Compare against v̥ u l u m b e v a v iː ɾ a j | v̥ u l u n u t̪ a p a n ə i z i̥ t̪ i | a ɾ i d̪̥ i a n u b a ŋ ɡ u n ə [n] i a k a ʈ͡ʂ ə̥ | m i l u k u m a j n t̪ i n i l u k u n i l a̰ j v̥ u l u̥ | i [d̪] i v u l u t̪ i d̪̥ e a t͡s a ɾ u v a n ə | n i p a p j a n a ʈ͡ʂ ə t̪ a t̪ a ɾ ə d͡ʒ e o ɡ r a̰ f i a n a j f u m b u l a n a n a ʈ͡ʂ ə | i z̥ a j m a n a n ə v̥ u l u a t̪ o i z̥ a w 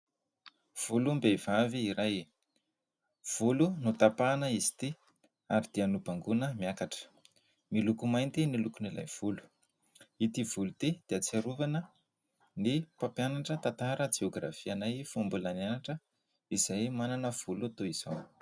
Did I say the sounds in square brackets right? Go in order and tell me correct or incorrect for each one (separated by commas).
incorrect, incorrect